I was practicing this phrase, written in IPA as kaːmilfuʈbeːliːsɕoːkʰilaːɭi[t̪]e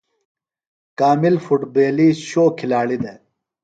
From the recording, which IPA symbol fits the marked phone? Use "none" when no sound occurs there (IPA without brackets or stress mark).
d̪